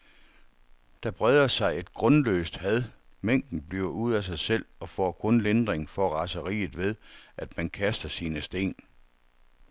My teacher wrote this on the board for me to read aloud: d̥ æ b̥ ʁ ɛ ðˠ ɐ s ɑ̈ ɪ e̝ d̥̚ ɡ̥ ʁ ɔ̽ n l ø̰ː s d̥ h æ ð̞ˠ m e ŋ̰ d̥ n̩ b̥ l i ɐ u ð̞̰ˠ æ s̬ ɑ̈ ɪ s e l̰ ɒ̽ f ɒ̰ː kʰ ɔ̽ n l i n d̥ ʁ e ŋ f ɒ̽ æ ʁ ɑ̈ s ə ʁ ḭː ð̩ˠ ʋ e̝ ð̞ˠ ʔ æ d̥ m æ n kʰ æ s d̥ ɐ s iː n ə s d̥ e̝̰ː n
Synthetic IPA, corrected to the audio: d̥ æ b̥ ʁ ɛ ðˠ ɐ s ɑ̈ ɪ e̝ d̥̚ ɡ̥ ʁ ɔ̽ n l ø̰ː s d̥ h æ ð̞ˠ m e ŋ̰ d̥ n̩ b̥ l i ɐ u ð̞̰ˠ æ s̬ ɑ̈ ɪ s e l̰ ɒ̽ f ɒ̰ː kʰ ɔ̽ n l e n d̥ ʁ e ŋ f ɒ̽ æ ʁ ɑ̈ s ə ʁ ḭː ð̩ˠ ʋ e̝ ð̞ˠ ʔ æ d̥ m æ n kʰ æ s d̥ ɐ s iː n ə s d̥ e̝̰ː n